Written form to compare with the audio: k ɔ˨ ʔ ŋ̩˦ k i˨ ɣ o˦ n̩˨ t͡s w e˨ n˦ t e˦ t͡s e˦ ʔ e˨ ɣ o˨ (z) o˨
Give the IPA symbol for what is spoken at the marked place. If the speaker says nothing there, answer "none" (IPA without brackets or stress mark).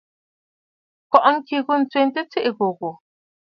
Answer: ɣ